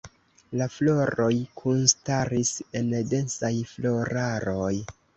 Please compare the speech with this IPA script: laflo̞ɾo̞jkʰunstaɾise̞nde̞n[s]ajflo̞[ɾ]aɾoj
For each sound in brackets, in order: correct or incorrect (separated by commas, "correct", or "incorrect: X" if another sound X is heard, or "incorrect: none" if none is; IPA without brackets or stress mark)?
correct, correct